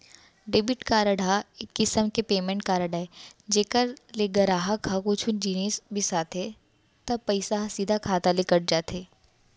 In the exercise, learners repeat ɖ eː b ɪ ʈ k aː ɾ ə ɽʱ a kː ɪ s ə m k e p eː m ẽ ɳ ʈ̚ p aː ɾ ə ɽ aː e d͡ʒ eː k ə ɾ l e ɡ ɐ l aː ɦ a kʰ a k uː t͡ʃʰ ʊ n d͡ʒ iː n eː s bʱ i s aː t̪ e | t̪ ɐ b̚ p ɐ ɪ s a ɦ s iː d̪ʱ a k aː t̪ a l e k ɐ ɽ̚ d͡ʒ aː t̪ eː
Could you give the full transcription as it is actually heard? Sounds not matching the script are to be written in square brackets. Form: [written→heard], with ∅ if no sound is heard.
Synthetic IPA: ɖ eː b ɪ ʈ k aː ɾ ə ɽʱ a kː ɪ s ə m k e p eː m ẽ ɳ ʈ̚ [p→k] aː ɾ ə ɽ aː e d͡ʒ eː k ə ɾ l e ɡ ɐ [l→ɾ] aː ɦ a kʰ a k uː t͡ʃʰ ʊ n d͡ʒ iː n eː s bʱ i s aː t̪ e | t̪ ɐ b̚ p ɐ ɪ s a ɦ s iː d̪ʱ a [k→kʰ] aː t̪ a l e k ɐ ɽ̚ d͡ʒ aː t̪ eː